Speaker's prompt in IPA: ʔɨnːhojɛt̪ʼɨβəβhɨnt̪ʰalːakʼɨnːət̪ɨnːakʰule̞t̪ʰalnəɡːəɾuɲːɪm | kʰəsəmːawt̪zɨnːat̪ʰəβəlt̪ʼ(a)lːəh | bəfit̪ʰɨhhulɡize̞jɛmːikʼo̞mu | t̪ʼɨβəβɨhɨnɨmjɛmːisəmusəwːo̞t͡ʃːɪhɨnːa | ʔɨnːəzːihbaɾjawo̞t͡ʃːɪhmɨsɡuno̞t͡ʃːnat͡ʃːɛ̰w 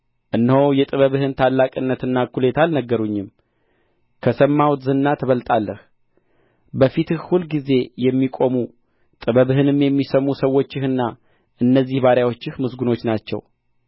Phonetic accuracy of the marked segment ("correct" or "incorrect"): correct